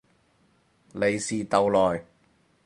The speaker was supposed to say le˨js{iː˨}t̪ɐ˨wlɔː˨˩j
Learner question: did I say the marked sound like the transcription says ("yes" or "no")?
yes